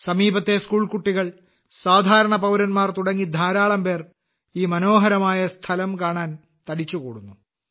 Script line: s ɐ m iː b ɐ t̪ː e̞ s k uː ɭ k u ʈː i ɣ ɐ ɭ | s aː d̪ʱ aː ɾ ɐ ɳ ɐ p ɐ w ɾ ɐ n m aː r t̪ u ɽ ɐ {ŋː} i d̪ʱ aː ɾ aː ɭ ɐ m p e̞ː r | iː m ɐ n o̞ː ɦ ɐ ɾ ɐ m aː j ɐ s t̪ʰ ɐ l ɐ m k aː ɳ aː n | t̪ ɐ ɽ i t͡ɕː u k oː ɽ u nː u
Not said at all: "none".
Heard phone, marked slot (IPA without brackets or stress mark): ŋː